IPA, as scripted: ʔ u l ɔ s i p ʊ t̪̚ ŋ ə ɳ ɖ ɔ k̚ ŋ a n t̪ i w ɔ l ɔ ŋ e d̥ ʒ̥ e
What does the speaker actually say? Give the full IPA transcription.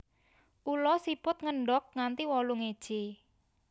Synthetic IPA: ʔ u l ɔ s i p ʊ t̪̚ ŋ ə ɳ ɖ ɔ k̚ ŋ a n t̪ i w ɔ l u ŋ e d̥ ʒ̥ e